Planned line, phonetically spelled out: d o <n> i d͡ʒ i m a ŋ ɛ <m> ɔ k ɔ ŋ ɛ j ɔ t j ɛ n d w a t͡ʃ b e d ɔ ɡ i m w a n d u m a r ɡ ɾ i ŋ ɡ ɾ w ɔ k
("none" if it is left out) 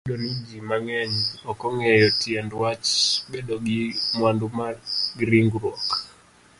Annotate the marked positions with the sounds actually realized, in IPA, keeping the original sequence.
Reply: n, ɲ

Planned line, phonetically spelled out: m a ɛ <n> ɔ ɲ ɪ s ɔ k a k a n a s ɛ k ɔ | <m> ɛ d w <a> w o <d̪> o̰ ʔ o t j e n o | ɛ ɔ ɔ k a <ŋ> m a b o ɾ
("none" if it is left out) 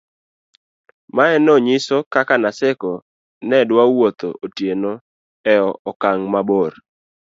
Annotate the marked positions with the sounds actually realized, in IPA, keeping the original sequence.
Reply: n, n, a, t̪, ŋ

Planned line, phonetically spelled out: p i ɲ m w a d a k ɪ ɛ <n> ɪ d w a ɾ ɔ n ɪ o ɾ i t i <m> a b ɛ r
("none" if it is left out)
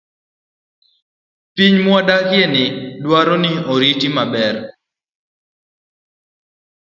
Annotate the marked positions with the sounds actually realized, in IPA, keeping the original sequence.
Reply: n, m

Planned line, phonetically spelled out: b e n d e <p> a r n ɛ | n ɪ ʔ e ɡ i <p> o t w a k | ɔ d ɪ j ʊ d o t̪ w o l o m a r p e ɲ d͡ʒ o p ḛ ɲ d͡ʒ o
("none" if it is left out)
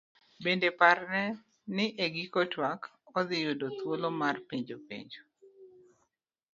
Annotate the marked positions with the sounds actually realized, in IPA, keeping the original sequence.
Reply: p, k

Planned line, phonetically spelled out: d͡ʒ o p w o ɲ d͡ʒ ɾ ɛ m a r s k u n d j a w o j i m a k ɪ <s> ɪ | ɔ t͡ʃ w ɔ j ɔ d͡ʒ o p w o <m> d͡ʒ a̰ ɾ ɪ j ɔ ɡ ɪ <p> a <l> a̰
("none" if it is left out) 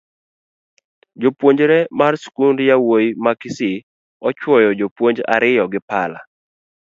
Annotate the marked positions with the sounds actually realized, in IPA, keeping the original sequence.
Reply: s, ɲ, p, l

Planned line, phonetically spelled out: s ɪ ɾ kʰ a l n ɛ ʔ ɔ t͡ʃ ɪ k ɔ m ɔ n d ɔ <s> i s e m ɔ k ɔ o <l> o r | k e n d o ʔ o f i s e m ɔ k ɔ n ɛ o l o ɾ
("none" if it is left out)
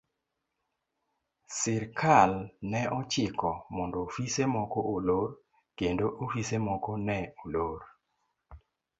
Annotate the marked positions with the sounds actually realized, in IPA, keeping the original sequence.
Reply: f, l

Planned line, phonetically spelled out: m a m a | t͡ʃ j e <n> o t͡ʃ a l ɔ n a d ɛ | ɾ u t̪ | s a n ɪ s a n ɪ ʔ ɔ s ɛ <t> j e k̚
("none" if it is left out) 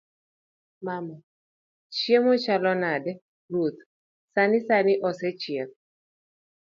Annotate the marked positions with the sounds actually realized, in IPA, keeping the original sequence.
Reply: m, t͡ʃ

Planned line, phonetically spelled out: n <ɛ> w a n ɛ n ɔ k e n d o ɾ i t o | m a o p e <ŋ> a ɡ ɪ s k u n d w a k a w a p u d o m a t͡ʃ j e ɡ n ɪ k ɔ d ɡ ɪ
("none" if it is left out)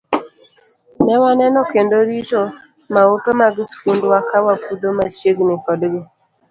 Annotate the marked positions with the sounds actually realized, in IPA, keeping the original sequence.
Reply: ɛ, m

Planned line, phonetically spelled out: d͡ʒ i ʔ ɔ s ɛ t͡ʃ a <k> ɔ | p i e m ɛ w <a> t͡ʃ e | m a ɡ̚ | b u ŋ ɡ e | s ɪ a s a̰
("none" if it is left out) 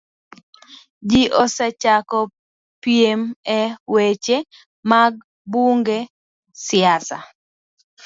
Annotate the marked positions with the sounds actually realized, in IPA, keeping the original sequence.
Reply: k, e

